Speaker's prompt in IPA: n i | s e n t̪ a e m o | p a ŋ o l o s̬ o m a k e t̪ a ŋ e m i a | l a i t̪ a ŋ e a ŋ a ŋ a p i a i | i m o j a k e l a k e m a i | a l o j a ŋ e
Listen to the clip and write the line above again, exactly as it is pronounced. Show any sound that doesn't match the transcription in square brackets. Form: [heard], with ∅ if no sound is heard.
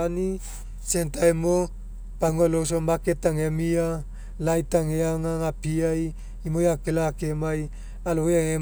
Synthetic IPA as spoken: n i | s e n t̪ a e m o | p a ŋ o l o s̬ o m a k e t̪ a ŋ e m i a | l a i t̪ a ŋ e a ŋ a ŋ a p i a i | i m o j a k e l a k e m a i | a l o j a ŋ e